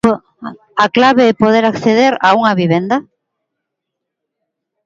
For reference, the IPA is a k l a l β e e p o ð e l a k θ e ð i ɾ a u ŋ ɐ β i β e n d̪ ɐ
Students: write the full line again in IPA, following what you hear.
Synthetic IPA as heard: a k l a β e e p o ð e ɾ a k θ e ð e ɾ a u ŋ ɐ β i β e n d̪ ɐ

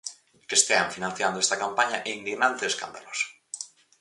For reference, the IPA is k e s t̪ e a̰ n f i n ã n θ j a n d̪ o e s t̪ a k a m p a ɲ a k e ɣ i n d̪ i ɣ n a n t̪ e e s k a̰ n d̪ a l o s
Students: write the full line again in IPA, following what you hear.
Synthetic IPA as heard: k e s t̪ e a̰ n f i n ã n θ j a n d̪ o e s t̪ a k a m p a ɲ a ʔ e i n d̪ i ɣ n a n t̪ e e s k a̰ n d̪ a l o s

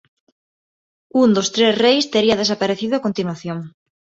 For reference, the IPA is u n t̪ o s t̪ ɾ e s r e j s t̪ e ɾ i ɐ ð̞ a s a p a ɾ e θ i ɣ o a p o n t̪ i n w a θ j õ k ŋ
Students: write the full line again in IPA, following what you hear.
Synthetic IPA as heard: u n d̪ o s t̪ ɾ e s r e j s t̪ e ɾ i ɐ ð̞ e s a p a ɾ e θ i ð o a k o n t̪ i n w a θ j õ ŋ

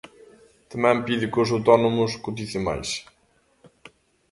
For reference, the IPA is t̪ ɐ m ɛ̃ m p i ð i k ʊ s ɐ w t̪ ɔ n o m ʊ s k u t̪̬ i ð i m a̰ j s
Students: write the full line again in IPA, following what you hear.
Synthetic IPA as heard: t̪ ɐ m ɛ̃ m p i ð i k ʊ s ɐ w t̪ ɔ n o m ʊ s k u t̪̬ i θ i m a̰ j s

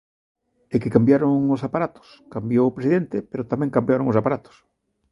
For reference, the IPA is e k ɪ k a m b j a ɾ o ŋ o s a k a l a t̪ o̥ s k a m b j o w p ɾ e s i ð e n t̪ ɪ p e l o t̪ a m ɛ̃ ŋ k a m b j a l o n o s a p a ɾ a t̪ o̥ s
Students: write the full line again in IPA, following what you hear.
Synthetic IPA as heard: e k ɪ k a m b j a ɾ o ŋ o s a p a ɾ a t̪ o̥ s k a m b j o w p ɾ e s i ð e n t̪ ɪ p e ɾ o t̪ a m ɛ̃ ŋ k a m b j a ɾ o ŋ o s a p a ɾ a t̪ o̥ s

